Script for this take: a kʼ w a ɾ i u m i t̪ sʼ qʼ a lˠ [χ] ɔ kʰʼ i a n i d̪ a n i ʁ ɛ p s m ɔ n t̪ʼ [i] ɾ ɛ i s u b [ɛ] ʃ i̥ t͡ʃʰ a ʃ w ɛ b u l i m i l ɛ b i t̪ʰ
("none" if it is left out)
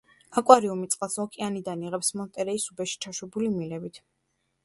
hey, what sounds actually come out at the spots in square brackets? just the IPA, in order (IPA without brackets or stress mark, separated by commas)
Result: s, ɛ, ɛ